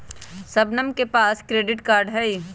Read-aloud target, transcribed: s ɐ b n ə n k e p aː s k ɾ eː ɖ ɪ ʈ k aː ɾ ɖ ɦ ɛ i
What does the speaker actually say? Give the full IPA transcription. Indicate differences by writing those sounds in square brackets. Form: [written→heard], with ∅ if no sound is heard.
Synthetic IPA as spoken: s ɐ b n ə [n→m] k e p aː s k ɾ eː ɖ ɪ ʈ k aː ɾ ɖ ɦ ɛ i